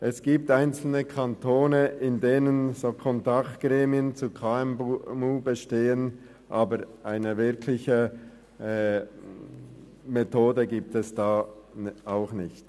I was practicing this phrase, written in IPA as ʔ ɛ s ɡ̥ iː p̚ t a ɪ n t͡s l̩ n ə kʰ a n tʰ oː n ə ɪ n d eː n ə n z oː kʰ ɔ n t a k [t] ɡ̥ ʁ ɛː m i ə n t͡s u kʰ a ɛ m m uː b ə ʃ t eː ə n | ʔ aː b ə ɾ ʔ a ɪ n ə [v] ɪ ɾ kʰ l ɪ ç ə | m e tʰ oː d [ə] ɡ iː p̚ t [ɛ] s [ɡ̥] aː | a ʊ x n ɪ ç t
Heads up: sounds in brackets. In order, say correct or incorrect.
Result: correct, correct, correct, correct, incorrect: d̥

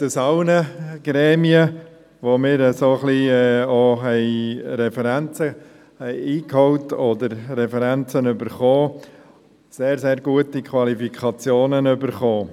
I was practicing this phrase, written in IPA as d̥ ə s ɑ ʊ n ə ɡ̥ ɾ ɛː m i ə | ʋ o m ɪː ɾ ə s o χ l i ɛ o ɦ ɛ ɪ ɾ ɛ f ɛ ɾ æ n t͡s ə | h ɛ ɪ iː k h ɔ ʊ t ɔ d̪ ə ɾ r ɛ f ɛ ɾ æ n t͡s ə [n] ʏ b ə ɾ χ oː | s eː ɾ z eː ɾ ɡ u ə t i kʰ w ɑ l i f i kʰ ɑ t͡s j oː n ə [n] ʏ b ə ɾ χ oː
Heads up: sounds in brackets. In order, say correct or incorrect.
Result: correct, correct

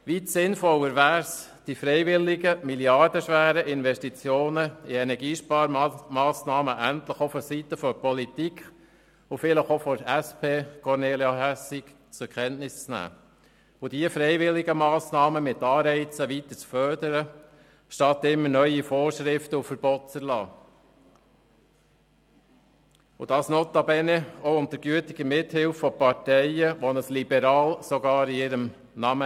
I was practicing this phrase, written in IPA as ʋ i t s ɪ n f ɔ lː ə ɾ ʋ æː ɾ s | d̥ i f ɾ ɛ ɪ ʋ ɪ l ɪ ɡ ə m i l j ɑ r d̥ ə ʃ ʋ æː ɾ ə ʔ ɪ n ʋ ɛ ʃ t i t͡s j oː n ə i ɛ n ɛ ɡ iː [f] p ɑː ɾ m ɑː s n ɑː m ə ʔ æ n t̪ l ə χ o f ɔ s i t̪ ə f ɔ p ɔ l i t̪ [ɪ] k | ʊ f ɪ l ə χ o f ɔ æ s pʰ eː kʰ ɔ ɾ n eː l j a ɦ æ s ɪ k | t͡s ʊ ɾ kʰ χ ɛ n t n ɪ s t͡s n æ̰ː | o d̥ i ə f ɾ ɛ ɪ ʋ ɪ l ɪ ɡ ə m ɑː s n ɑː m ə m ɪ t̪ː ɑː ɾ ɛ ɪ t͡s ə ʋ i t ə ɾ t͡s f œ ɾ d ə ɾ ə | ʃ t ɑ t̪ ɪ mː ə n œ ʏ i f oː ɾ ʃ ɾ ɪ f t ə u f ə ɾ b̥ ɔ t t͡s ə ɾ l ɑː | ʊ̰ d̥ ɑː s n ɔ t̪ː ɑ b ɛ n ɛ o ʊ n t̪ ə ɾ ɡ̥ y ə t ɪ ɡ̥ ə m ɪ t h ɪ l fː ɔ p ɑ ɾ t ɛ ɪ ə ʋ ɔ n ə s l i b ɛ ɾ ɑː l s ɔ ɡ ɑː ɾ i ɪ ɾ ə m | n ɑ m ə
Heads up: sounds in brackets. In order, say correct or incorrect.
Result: incorrect: ʃ, incorrect: i

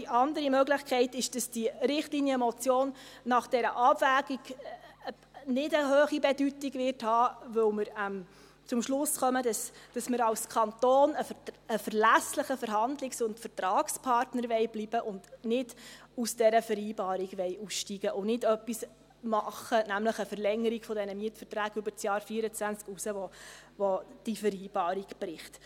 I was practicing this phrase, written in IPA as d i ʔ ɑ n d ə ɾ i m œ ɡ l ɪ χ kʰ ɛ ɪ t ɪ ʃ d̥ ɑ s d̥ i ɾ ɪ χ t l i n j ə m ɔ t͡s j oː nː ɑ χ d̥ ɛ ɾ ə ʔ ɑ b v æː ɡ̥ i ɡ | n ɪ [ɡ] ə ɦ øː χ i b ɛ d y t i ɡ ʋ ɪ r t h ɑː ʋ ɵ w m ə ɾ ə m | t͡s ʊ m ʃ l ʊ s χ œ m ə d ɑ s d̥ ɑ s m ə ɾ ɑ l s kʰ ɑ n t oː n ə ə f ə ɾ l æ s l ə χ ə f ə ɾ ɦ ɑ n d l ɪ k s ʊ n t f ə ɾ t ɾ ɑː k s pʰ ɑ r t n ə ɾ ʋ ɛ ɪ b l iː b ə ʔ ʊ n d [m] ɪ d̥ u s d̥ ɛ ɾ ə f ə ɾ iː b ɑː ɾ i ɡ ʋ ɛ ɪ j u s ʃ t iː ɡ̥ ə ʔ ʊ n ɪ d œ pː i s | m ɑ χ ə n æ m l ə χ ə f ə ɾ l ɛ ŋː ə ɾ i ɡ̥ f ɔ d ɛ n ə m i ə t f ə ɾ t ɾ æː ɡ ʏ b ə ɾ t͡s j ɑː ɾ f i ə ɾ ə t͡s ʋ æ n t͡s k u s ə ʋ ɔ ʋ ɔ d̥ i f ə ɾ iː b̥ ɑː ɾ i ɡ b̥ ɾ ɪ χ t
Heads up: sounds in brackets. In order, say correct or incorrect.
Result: incorrect: d, incorrect: n

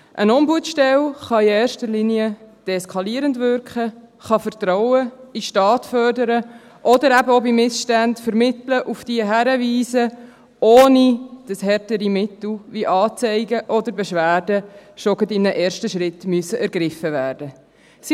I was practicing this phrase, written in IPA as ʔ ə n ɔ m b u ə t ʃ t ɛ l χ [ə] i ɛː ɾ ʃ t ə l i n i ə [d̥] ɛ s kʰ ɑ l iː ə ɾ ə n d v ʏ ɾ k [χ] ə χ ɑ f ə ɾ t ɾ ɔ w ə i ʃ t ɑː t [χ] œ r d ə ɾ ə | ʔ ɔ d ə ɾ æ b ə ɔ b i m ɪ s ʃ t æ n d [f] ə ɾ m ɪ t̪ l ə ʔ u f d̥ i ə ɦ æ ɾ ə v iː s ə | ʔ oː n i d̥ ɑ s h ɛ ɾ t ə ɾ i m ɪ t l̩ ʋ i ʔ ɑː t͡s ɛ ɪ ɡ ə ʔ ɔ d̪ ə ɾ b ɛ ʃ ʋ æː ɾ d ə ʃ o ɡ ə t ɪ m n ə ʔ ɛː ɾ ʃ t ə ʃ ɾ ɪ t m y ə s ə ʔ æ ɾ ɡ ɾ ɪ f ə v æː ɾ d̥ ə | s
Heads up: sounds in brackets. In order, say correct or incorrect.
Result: incorrect: ɑ, correct, correct, incorrect: f, correct

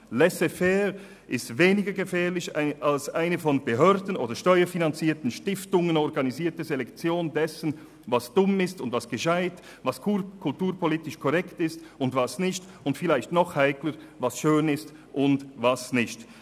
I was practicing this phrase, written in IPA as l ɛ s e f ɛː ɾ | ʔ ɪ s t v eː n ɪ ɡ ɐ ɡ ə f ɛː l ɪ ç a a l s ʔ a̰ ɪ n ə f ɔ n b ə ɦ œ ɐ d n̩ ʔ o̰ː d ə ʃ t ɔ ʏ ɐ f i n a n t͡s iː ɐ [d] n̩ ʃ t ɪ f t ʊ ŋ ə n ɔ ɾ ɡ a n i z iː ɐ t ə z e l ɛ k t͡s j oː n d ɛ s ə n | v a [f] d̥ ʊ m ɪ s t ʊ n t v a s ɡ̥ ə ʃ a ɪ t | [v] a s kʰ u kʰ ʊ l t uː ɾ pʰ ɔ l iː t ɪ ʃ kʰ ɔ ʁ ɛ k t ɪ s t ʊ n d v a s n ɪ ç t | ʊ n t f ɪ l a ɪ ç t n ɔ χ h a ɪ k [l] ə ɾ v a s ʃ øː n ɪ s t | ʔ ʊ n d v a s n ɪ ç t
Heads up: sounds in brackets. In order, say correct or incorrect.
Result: incorrect: t, incorrect: s, correct, correct

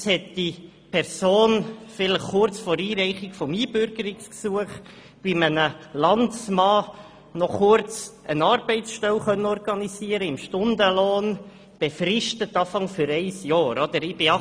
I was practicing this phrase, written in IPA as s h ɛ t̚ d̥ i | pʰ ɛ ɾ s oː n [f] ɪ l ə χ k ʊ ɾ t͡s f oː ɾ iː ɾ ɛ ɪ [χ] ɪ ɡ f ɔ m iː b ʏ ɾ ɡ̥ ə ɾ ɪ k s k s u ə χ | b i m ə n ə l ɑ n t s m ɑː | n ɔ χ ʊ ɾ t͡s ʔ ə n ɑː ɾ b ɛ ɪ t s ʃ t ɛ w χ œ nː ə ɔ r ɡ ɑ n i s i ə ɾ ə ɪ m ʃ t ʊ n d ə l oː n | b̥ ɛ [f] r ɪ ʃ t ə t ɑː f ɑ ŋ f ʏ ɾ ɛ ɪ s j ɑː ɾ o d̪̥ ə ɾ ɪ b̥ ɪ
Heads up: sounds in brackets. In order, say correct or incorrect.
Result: correct, correct, correct

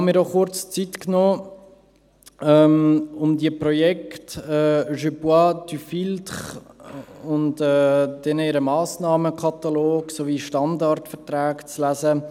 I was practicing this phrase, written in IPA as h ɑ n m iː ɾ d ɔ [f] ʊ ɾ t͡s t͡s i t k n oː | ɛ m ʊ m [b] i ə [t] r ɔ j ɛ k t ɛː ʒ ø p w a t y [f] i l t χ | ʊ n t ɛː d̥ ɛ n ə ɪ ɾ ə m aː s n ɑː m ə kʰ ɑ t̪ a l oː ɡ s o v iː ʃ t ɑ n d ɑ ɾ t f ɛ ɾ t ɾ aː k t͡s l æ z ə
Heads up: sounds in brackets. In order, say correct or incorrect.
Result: incorrect: χ, incorrect: d, incorrect: p, correct

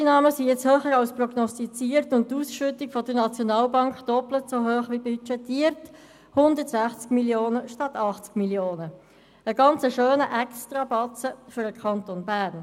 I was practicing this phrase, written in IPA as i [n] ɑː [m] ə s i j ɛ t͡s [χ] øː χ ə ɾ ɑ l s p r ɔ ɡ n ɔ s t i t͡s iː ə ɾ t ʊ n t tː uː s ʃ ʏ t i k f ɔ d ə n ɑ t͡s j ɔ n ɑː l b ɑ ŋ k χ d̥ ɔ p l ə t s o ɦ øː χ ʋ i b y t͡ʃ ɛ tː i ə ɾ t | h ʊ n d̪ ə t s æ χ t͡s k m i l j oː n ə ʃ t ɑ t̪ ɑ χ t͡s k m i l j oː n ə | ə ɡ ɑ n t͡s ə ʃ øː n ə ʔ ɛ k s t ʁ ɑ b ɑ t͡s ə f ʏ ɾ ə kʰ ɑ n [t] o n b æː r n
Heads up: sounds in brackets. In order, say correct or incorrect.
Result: correct, correct, incorrect: h, correct

